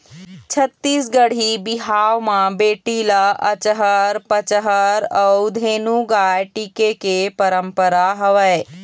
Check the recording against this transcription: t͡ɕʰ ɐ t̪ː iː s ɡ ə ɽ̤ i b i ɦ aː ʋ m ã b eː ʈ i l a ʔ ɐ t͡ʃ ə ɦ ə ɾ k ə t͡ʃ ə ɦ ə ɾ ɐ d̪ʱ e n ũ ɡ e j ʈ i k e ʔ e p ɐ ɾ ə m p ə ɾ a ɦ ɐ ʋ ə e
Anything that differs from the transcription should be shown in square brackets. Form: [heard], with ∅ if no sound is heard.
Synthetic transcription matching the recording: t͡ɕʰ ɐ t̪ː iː s ɡ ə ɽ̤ i b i ɦ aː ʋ m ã b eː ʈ i l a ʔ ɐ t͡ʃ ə ɦ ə ɾ [p] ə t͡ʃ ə ɦ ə ɾ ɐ d̪ʱ e n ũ ɡ [a] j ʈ i k e [k] e p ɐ ɾ ə m p ə ɾ a ɦ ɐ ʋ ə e